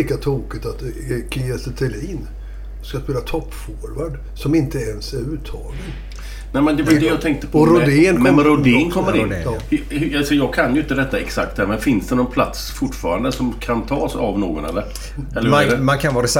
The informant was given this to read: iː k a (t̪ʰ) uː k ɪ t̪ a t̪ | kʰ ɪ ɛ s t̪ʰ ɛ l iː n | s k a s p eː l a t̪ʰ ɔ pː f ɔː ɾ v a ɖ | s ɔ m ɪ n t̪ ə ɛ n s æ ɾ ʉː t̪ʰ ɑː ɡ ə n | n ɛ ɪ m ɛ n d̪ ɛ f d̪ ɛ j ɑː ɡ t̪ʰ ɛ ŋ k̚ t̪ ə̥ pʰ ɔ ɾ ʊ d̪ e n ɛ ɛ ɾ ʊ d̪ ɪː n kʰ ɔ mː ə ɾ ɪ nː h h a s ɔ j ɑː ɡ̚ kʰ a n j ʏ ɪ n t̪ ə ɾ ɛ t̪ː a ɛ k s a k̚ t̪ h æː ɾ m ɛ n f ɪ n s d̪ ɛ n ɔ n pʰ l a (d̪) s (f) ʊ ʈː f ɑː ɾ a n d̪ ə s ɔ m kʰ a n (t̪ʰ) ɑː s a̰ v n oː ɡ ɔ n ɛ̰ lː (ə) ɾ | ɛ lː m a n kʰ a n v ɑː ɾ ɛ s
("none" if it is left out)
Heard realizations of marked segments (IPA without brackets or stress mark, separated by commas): t̪ʰ, t̪, f, t̪ʰ, ə